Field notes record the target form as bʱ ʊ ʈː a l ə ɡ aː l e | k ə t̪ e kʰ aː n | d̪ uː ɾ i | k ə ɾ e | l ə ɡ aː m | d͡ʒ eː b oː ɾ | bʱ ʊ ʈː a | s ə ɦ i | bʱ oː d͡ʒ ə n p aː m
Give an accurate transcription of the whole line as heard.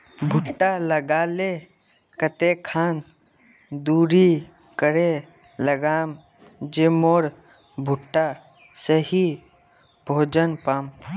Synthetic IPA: bʱ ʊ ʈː a l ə ɡ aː l e | k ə t̪ e kʰ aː n | d̪ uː ɾ i | k ə ɾ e | l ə ɡ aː m | d͡ʒ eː m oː ɾ | bʱ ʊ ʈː a | s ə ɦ i | bʱ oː d͡ʒ ə n p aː m